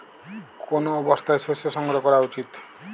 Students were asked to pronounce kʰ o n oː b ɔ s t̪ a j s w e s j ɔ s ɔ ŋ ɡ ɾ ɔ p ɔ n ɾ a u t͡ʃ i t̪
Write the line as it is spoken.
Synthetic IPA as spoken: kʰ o n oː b ɔ s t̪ a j s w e s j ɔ s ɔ ŋ ɡ ɾ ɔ k ɔ ɾ a u t͡ʃ i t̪